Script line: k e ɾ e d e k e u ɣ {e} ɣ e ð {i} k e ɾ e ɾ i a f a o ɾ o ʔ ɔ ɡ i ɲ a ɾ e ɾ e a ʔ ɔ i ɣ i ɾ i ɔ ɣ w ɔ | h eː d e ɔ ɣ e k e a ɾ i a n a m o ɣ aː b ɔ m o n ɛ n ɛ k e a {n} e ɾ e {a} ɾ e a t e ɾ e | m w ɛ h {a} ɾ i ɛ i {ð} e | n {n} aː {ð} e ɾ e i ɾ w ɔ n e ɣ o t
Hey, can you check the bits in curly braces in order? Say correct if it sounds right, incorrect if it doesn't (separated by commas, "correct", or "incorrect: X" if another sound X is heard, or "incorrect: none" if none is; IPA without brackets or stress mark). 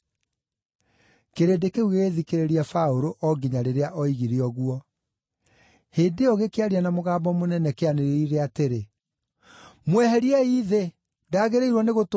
correct, correct, correct, incorrect: i, incorrect: ɛ, correct, incorrect: d, incorrect: ɣ